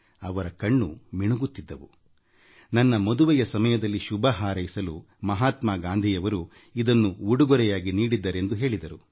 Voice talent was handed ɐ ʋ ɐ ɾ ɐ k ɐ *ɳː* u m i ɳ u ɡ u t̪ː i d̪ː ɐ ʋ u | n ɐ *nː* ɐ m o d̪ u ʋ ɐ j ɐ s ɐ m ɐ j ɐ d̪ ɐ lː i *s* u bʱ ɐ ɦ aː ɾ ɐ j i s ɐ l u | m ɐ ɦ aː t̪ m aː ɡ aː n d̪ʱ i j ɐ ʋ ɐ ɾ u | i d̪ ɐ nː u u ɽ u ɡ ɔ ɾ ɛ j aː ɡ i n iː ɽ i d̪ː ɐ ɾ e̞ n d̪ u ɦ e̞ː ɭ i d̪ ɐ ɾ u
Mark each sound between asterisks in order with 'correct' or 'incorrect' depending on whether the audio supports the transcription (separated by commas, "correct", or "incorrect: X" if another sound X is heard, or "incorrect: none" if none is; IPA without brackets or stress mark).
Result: correct, correct, incorrect: ʃ